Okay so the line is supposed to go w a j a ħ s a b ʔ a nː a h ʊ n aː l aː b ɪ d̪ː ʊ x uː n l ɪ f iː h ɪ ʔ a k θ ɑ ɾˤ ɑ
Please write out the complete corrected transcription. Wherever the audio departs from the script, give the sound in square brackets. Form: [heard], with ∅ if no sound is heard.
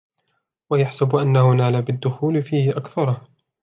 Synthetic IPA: w a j a ħ s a b ʔ a nː a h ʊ n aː l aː b ɪ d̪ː ʊ x uː [∅] l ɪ f iː h ɪ ʔ a k θ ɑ ɾˤ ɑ